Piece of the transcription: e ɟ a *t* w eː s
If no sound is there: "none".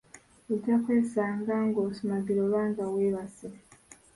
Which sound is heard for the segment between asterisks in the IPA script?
k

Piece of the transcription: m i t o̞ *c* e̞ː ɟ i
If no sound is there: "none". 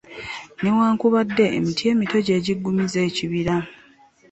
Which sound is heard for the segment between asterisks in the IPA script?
ɟ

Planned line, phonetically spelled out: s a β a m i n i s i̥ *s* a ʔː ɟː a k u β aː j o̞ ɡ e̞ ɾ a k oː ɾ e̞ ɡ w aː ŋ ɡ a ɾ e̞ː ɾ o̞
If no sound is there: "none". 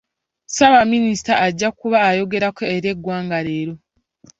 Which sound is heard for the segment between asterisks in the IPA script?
t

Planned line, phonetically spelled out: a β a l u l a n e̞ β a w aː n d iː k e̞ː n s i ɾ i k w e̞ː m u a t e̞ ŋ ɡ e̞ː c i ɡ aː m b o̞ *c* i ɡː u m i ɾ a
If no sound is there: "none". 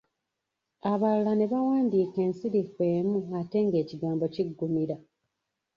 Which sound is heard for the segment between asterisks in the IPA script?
c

